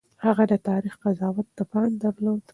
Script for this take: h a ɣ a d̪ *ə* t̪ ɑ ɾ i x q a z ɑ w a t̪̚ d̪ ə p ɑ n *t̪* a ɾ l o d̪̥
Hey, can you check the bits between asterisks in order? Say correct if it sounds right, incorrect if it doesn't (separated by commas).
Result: correct, incorrect